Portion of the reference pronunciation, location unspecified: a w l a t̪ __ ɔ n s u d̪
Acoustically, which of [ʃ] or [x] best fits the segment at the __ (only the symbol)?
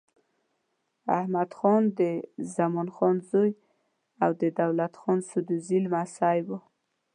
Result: x